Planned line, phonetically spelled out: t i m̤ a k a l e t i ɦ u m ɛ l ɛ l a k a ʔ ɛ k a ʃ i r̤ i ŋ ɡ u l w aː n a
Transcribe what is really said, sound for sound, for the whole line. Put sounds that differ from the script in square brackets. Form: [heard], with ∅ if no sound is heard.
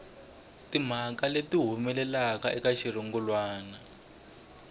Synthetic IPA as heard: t i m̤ a k a l e t i ɦ u m ɛ l ɛ l a k a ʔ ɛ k a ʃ i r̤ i ŋ ɡ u l w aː n a